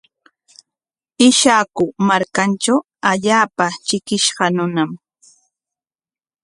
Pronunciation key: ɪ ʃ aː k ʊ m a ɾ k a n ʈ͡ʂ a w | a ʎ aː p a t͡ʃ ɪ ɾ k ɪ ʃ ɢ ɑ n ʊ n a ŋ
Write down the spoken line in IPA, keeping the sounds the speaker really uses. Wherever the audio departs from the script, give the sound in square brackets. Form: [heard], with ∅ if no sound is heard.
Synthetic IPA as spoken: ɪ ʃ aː k ʊ m a ɾ k a n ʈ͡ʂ a w | a ʎ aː p a t͡ʃ ɪ [∅] k ɪ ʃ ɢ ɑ n ʊ n a [m]